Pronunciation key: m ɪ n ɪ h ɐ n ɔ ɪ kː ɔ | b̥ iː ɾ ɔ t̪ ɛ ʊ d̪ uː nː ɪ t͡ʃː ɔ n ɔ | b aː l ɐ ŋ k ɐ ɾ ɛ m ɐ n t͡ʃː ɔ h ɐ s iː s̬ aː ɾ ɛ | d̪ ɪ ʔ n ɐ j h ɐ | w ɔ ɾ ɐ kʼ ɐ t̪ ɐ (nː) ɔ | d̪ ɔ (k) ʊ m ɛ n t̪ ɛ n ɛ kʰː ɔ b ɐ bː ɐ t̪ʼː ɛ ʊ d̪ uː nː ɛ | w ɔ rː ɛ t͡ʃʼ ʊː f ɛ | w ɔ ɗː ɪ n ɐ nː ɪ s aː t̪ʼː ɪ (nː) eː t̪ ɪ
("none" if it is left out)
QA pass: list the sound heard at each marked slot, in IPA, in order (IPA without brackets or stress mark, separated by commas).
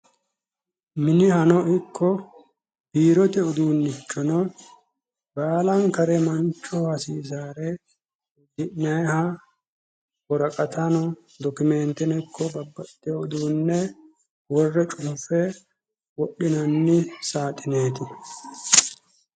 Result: n, k, n